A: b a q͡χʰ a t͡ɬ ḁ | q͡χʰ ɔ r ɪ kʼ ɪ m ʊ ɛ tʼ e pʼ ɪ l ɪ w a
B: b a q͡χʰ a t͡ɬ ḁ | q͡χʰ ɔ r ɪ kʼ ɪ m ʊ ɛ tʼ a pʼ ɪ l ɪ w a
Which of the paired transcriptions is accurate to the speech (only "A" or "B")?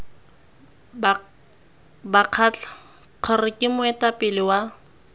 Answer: B